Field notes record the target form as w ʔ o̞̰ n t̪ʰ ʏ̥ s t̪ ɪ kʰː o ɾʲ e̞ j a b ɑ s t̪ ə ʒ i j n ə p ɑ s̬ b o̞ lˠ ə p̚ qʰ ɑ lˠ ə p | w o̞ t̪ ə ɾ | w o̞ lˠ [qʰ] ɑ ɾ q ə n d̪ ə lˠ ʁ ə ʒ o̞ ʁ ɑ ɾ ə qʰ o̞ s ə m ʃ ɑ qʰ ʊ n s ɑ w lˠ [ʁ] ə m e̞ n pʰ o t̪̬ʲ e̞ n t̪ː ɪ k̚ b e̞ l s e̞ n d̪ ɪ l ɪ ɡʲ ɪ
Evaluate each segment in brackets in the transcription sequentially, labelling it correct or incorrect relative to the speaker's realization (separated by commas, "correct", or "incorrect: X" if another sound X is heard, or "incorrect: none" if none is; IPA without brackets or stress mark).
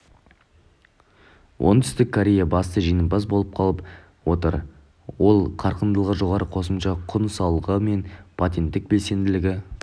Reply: correct, correct